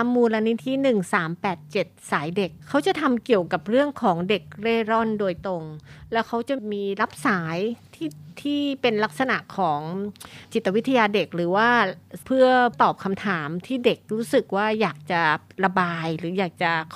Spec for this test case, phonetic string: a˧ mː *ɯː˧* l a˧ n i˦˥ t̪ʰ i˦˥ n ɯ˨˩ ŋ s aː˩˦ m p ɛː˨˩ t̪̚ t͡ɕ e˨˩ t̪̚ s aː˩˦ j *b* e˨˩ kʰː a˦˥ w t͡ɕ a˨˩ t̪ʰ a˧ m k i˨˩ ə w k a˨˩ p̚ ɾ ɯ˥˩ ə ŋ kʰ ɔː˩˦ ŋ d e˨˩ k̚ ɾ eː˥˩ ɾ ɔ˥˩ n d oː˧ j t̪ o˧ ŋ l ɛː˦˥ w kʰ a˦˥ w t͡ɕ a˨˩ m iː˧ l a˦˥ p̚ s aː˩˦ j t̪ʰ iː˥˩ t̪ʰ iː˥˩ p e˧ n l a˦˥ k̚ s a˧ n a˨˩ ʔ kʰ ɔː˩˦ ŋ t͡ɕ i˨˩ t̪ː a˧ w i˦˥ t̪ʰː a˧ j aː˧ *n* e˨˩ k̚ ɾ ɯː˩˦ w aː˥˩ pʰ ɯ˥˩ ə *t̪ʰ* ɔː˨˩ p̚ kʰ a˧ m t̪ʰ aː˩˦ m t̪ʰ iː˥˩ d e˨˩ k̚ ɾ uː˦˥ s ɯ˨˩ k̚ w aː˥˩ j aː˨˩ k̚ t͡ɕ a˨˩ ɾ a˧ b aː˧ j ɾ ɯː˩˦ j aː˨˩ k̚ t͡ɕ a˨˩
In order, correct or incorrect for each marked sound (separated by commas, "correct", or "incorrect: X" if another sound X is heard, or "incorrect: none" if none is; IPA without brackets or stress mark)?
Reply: incorrect: uː˧, incorrect: d, incorrect: d, incorrect: t̪